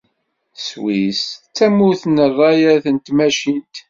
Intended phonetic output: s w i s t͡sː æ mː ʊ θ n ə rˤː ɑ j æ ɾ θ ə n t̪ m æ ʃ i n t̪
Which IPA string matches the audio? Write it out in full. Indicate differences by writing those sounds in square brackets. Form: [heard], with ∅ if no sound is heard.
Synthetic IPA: s w i s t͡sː æ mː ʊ θ n ə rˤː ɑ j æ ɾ θ ə n t̪ m æ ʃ i n t̪